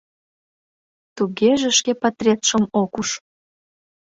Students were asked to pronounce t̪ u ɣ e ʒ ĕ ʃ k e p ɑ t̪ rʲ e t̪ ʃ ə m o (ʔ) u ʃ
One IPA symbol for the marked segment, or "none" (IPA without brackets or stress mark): k